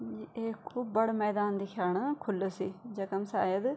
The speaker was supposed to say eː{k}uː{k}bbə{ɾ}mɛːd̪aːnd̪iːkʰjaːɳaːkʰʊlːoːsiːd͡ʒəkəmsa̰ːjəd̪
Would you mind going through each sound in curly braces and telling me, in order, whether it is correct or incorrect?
incorrect, incorrect, incorrect

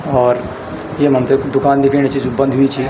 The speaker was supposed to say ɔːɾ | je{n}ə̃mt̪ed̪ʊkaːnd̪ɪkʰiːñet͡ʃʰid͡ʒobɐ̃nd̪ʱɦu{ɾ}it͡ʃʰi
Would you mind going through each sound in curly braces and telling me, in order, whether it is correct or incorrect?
incorrect, incorrect

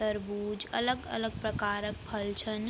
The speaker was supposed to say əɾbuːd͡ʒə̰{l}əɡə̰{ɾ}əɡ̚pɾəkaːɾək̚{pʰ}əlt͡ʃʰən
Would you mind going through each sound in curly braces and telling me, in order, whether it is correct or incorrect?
correct, incorrect, correct

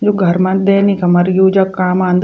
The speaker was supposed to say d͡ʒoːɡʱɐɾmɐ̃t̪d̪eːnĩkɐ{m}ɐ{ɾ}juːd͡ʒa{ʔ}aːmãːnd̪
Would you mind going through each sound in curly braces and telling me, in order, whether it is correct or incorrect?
correct, correct, incorrect

